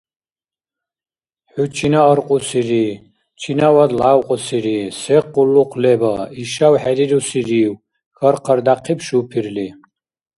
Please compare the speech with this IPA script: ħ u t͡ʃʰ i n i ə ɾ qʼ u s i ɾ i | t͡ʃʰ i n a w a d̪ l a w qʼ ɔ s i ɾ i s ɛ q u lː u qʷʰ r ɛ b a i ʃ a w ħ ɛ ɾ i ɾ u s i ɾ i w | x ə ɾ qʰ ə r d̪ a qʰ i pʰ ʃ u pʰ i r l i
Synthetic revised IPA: ħ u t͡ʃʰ i n a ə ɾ qʼ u s i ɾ i | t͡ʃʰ i n a w a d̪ l a w qʼ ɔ s i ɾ i s ɛ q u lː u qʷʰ l ɛ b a i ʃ a w ħ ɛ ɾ i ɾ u s i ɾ i w | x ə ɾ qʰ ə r d̪ a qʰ i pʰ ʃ u pʰ i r l i